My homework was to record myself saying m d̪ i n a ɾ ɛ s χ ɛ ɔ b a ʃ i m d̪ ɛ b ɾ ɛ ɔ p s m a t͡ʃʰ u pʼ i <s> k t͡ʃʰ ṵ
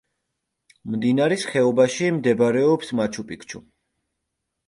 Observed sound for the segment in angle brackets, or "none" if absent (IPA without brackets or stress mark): none